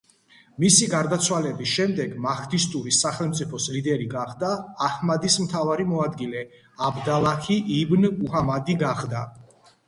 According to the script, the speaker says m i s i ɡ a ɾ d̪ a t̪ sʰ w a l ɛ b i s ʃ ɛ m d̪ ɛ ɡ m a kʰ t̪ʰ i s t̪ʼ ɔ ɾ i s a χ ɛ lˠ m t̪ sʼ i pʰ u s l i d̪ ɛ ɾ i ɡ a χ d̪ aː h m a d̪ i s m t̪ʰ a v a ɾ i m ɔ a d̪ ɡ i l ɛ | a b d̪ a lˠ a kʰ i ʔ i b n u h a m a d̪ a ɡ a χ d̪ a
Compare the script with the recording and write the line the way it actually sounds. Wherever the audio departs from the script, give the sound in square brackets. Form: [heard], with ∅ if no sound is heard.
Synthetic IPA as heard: m i s i ɡ a ɾ d̪ a t̪ sʰ w a l ɛ b i s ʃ ɛ m d̪ ɛ ɡ m a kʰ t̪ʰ i s t̪ʼ [u] ɾ i s a χ ɛ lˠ m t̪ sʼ i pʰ [ɔ] s l i d̪ ɛ ɾ i ɡ a χ d̪ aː h m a d̪ i s m t̪ʰ a v a ɾ i m ɔ a d̪ ɡ i l ɛ | a b d̪ a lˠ a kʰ i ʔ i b n u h a m a d̪ [i] ɡ a χ d̪ a